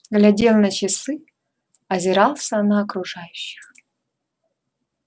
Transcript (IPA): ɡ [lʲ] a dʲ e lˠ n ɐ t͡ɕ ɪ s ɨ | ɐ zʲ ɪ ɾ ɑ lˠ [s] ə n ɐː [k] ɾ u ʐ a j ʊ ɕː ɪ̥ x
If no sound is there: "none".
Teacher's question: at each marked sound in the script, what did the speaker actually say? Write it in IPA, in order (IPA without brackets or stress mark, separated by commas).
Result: lʲ, s, k